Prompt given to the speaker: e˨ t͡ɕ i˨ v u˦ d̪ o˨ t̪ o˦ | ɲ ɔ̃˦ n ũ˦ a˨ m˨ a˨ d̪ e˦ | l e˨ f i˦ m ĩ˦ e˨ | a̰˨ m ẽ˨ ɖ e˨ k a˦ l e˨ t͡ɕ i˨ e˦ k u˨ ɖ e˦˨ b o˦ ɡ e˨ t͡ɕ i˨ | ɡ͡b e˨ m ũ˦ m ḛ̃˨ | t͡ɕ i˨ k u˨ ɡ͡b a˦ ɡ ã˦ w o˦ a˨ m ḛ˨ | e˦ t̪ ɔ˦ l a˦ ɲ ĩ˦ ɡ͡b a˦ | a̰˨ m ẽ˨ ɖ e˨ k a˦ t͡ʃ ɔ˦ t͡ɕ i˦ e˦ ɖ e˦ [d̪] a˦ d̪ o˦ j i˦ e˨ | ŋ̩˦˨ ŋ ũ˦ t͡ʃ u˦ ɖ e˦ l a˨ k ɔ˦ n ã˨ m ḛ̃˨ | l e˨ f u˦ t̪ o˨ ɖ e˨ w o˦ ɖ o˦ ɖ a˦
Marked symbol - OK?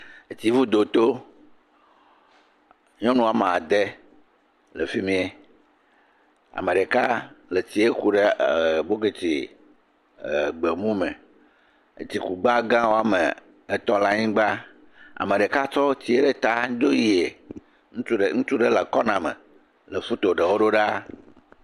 no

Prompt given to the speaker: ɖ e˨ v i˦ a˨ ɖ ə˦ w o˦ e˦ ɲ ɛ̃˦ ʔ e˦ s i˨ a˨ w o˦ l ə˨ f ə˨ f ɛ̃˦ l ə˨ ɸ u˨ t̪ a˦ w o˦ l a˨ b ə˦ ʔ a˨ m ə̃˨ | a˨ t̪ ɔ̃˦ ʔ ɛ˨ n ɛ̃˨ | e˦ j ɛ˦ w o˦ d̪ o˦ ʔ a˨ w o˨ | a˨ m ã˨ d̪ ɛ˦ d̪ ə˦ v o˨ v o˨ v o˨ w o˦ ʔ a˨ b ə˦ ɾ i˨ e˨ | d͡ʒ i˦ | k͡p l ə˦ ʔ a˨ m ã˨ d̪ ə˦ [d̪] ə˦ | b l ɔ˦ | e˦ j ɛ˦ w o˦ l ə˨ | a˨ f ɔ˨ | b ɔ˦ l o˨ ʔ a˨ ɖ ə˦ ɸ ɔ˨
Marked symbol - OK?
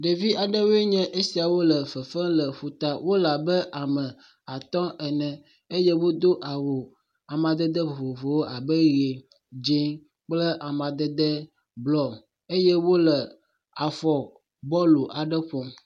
yes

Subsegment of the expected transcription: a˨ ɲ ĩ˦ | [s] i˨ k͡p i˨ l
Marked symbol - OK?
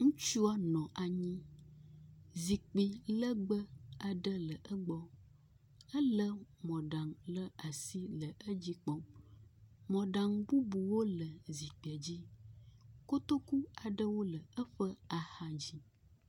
no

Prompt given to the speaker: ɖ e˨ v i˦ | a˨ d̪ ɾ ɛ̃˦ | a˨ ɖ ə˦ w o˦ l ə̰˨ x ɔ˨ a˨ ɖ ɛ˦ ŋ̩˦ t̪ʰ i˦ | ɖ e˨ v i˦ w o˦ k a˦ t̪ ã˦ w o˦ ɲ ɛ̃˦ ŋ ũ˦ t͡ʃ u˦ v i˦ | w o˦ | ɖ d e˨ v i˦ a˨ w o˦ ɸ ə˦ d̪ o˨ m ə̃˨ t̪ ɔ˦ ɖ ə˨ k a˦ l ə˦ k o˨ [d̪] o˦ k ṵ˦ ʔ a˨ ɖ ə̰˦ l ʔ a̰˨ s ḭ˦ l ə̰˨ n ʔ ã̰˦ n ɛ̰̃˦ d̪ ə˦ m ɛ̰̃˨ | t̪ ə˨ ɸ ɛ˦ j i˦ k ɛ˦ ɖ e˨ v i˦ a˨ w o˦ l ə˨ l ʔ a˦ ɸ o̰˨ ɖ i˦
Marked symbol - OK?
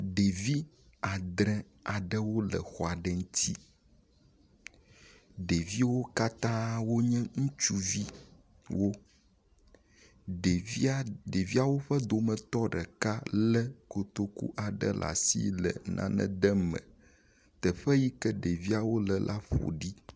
no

